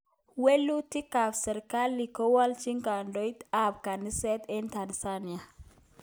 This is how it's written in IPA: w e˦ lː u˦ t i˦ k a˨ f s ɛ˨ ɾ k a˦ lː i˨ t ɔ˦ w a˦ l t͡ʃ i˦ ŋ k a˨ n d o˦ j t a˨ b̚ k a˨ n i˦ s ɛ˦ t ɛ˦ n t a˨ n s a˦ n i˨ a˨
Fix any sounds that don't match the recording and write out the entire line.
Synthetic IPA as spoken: w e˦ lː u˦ t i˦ k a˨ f s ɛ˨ ɾ k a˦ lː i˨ k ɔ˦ w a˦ l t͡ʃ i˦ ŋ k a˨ n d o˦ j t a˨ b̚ k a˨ n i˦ s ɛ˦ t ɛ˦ n t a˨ n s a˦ n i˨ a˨